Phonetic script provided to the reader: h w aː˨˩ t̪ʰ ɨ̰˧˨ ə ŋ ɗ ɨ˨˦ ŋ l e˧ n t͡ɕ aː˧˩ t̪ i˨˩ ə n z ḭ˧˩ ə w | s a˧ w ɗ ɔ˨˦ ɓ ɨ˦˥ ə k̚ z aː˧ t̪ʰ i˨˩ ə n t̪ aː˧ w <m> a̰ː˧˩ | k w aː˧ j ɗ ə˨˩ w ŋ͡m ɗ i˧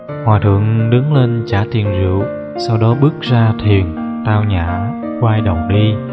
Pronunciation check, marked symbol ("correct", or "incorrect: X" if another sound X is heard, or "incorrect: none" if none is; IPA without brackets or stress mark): incorrect: ɲ